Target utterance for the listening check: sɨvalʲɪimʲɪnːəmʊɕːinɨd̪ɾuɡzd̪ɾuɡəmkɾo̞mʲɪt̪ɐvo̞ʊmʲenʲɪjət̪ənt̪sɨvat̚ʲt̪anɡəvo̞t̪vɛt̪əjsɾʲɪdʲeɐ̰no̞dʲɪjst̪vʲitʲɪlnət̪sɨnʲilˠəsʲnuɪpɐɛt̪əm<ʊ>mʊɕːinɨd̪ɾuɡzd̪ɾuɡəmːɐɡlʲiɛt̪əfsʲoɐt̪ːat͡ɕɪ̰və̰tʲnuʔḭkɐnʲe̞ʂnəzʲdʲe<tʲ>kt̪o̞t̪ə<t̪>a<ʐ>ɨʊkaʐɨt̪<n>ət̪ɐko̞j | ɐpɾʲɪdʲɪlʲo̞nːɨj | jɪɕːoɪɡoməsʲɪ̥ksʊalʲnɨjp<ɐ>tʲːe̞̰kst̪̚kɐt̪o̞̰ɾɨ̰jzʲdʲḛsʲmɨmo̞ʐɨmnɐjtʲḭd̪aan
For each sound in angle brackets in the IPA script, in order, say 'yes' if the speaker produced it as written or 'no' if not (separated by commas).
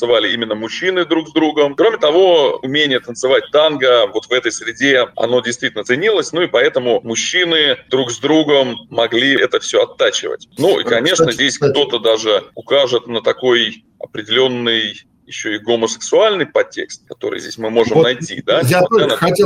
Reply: yes, no, no, yes, yes, yes